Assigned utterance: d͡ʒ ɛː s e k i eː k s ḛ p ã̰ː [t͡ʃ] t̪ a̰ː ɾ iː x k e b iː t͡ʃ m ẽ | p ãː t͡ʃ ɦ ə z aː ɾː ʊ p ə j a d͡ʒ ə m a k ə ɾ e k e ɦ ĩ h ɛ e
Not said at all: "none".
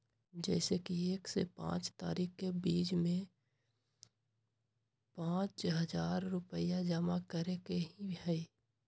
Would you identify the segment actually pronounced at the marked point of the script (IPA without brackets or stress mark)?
t͡ʃ